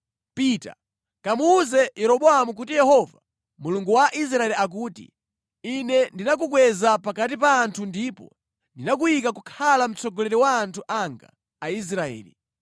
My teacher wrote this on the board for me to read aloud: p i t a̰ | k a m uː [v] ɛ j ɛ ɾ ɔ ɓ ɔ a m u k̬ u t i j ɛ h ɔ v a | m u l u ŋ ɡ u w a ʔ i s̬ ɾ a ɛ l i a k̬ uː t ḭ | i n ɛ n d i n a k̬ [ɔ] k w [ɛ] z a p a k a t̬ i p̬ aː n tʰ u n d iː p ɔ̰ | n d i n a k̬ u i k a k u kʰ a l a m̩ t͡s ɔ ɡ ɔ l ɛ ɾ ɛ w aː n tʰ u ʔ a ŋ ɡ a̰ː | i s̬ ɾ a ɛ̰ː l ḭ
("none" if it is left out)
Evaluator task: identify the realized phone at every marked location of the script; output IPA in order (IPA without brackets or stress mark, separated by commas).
z, u, ɛ